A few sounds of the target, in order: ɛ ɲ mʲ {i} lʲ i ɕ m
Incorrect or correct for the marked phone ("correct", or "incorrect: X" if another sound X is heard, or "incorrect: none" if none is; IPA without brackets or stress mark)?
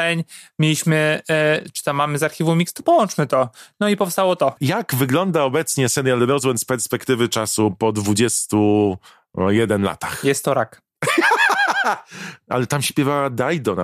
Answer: incorrect: e